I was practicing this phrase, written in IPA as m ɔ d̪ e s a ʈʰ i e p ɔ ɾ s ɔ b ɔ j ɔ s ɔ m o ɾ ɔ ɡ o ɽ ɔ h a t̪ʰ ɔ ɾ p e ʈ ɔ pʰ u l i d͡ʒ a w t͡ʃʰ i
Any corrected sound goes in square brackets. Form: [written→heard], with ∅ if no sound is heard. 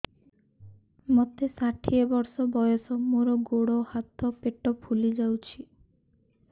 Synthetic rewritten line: m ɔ [d̪→t̪] e s a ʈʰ i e [p→b] ɔ ɾ s ɔ b ɔ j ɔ s ɔ m o ɾ ɔ ɡ o ɽ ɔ h a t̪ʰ ɔ [ɾ→∅] p e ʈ ɔ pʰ u l i d͡ʒ a w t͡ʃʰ i